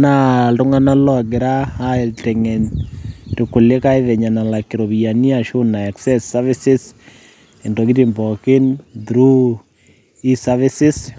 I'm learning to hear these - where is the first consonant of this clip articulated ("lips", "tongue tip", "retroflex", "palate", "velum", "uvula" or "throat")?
tongue tip